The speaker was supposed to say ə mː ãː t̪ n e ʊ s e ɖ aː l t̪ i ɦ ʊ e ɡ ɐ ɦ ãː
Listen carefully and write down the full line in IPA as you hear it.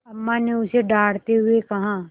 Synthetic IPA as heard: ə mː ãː n e ʊ s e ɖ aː ɽ t̪ e ɦ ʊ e k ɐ ɦ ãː